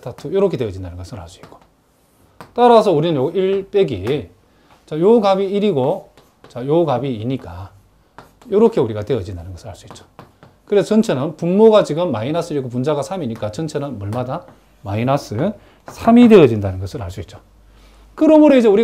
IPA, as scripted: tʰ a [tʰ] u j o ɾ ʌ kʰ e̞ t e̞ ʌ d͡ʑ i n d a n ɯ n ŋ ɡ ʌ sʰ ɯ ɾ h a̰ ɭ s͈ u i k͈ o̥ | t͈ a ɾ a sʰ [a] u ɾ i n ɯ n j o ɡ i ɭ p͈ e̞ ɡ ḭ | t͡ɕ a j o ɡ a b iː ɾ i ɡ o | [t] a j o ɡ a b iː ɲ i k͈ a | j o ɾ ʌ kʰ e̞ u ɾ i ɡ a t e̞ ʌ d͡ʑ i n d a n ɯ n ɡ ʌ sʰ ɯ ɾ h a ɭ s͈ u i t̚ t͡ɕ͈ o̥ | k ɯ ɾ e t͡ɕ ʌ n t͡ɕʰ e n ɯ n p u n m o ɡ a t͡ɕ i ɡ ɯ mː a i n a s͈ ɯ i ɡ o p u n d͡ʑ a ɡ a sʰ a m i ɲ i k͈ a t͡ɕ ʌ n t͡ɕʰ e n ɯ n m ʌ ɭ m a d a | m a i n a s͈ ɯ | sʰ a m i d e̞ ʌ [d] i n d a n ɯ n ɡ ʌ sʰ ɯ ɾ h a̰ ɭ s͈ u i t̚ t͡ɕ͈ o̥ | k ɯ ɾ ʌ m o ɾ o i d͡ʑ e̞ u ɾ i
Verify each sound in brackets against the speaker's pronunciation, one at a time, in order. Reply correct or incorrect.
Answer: correct, incorrect: ʌ, incorrect: t͡ɕ, incorrect: d͡ʑ

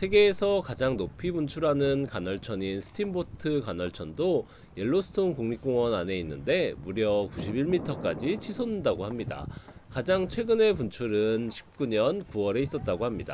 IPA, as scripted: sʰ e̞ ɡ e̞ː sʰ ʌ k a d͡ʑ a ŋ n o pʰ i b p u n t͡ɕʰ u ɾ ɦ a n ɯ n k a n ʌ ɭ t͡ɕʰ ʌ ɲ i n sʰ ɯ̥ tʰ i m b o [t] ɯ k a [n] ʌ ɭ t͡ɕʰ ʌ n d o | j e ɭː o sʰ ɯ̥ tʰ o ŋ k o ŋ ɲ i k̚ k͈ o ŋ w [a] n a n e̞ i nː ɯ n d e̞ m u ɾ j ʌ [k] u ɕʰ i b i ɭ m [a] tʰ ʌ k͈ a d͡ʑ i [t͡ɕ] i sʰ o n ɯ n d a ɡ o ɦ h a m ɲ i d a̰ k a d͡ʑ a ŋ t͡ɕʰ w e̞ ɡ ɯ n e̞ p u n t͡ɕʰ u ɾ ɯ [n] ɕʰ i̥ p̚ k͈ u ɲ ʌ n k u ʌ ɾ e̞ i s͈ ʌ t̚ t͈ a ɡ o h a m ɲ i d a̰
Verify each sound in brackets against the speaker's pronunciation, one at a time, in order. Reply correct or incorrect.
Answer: incorrect: tʰ, correct, incorrect: ʌ, correct, incorrect: i, incorrect: t͡ɕʰ, correct

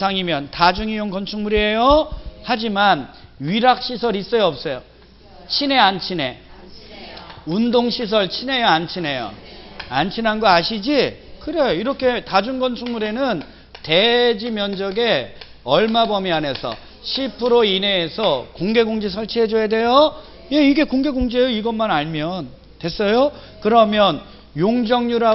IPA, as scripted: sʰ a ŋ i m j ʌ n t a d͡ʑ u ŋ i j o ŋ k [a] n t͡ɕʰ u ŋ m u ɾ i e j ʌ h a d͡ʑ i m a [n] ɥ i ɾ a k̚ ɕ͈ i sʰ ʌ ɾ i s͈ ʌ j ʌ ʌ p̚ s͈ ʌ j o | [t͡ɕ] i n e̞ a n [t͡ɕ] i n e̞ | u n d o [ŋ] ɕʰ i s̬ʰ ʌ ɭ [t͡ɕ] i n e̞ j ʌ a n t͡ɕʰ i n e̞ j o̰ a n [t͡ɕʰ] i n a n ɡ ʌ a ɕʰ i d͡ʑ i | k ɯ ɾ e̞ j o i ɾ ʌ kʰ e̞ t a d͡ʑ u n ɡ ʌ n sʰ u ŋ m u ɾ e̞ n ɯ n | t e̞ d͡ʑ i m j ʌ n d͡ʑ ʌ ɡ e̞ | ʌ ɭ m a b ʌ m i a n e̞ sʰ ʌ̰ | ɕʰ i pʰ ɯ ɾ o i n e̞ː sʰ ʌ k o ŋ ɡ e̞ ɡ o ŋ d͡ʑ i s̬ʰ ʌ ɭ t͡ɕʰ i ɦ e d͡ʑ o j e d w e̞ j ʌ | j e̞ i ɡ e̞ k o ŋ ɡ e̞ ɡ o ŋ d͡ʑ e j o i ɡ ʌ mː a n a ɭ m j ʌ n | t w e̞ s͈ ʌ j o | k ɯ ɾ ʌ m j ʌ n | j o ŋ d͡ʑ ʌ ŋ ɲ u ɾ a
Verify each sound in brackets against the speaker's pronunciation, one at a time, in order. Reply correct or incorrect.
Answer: incorrect: ʌ, correct, incorrect: t͡ɕʰ, incorrect: t͡ɕʰ, correct, incorrect: t͡ɕʰ, correct

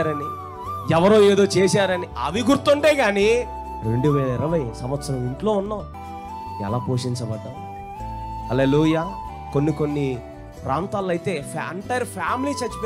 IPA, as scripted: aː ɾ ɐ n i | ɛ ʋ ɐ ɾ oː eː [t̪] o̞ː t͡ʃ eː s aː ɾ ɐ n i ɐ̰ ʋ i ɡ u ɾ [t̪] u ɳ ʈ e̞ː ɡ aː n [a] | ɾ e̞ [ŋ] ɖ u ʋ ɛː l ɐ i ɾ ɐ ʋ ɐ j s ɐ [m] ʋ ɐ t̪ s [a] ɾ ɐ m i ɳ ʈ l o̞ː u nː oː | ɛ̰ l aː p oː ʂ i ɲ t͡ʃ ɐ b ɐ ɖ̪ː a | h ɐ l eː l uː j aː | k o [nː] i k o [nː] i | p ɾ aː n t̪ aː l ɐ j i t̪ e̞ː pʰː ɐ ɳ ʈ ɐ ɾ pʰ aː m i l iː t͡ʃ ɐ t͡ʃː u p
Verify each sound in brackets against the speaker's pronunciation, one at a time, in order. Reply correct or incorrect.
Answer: incorrect: d̪, correct, incorrect: i, incorrect: ɳ, correct, incorrect: ɐ, correct, correct

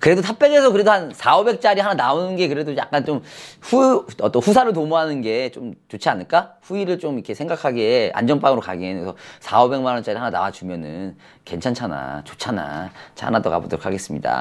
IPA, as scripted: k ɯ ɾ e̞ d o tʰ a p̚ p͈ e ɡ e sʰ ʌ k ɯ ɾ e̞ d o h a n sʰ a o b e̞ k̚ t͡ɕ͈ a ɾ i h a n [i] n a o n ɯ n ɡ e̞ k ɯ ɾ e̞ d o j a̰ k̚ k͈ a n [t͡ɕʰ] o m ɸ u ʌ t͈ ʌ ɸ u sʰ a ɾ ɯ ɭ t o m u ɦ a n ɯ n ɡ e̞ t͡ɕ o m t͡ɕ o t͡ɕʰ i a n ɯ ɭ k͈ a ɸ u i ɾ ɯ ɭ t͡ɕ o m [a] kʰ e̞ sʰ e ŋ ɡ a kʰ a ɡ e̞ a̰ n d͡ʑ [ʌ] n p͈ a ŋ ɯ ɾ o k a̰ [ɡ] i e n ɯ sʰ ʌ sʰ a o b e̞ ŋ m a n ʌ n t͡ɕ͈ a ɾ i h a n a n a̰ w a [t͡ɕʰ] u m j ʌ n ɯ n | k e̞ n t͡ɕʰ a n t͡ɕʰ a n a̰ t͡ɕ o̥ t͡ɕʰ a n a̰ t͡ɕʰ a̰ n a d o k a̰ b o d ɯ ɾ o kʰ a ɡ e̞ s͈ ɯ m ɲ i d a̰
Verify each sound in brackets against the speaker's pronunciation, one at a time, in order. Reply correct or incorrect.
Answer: incorrect: a, incorrect: t͡ɕ, incorrect: i, correct, correct, incorrect: t͡ɕ

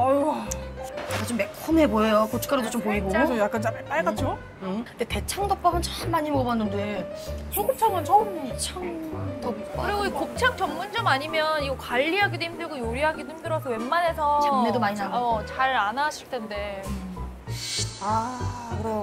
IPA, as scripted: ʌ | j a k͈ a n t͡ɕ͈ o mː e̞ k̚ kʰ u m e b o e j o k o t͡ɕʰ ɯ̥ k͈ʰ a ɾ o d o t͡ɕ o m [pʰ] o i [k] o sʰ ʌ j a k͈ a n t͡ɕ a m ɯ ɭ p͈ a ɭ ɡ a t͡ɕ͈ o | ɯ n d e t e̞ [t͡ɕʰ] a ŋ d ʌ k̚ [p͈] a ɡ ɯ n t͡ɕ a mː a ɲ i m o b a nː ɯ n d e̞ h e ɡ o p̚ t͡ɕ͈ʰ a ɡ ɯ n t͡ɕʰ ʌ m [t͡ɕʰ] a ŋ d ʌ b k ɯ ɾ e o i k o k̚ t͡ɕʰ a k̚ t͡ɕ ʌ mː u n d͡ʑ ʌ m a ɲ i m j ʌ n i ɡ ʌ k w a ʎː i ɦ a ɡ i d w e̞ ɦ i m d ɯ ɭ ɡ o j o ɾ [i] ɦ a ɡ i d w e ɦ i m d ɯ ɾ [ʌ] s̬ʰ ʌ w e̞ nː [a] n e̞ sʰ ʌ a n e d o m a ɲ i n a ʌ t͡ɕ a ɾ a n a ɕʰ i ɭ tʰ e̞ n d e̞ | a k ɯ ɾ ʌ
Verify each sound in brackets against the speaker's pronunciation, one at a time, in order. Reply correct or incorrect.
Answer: incorrect: p, incorrect: ɡ, correct, correct, correct, correct, correct, correct

